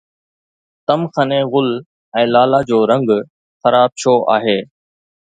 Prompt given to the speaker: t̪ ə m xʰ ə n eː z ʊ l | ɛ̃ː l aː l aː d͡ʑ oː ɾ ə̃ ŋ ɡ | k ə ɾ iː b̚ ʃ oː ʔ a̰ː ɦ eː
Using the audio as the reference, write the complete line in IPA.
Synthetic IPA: t̪ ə m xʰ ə n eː ɣ ʊ l | ɛ̃ː l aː l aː d͡ʑ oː ɾ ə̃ ŋ ɡ | x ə ɾ aː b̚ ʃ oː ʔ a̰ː ɦ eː